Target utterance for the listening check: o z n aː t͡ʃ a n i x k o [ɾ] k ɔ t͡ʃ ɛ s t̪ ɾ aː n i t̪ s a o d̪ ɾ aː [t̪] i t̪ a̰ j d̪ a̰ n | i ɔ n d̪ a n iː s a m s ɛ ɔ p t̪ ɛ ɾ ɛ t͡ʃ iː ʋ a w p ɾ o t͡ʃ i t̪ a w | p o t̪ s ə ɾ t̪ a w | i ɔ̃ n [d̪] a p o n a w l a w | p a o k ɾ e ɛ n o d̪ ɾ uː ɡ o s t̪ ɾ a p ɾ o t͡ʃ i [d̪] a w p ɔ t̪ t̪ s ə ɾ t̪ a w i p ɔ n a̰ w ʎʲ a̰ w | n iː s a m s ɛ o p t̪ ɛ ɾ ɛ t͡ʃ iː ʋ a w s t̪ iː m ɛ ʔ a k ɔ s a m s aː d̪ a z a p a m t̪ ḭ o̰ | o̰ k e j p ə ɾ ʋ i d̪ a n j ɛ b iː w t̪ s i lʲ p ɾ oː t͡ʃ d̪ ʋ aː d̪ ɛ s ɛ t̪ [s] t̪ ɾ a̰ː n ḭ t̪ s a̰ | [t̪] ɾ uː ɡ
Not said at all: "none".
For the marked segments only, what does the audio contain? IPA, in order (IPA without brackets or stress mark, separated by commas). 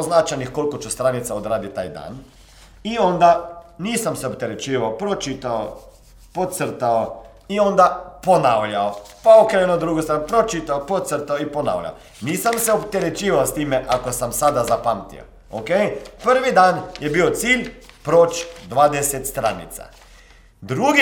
l, d̪, d̪, t̪, s, d̪